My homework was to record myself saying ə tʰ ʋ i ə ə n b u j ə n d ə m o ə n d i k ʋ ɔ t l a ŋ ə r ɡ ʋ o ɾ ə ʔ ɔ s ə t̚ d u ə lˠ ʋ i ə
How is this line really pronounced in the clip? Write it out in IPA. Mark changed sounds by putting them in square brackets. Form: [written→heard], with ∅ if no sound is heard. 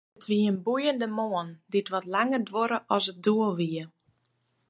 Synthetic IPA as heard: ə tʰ ʋ i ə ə n b u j ə n d ə m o ə n d i [k→t] ʋ ɔ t l a ŋ ə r [ɡ→d] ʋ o ɾ ə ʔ ɔ s ə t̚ d u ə lˠ ʋ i ə